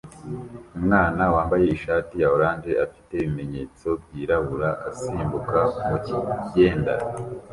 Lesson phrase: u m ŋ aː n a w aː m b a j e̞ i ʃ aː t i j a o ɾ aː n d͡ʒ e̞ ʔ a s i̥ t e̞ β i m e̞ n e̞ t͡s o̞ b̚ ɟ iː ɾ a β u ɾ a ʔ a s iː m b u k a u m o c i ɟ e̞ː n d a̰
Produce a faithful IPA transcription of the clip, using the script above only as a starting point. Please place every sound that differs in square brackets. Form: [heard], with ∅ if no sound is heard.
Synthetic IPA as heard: u m ŋ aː n a w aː m b a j e̞ i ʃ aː t i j a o ɾ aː n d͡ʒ e̞ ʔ a [f] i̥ t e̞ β i m e̞ [ɲ] e̞ t͡s o̞ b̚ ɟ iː ɾ a β u ɾ a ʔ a s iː m b u k a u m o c i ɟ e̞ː n d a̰